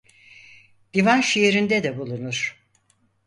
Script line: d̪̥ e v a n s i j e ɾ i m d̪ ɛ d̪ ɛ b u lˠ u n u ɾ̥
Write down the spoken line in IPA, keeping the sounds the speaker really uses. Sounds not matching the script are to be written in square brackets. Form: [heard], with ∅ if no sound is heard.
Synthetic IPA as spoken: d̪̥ [i] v a n [ʃ] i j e ɾ i [n] d̪ ɛ d̪ ɛ b u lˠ u n u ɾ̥